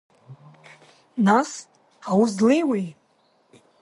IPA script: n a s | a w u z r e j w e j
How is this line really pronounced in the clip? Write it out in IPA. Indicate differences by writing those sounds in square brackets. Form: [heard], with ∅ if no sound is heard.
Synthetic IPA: n a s | a w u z [l] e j w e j